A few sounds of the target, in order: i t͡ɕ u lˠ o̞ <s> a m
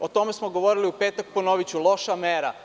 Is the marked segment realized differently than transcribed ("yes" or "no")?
yes